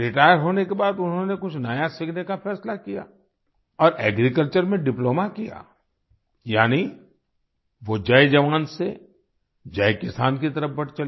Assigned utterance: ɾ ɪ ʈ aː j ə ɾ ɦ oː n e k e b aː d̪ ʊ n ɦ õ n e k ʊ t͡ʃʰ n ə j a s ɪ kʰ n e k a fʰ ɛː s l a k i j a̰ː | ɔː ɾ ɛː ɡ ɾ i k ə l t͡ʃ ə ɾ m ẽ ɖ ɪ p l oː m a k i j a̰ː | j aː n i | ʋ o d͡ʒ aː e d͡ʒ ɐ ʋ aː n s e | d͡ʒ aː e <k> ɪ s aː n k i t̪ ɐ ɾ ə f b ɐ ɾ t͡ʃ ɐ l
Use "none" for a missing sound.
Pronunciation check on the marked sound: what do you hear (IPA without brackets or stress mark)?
k